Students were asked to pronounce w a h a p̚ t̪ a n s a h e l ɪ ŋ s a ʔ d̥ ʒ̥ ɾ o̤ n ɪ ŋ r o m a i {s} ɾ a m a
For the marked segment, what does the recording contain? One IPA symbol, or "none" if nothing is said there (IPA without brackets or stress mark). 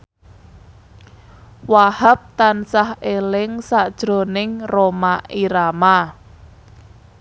none